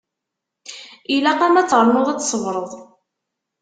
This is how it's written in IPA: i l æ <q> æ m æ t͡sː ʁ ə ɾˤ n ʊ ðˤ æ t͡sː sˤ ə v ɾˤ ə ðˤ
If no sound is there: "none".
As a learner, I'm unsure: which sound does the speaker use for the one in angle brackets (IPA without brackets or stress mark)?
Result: q